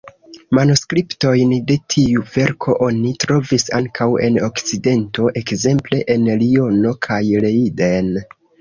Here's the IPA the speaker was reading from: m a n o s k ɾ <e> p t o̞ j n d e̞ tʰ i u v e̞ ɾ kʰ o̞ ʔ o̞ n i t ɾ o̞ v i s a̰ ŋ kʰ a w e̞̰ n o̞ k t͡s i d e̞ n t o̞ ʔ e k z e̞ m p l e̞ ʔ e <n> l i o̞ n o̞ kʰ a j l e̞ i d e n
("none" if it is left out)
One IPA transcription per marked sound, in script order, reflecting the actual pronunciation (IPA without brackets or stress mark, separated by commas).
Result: i, n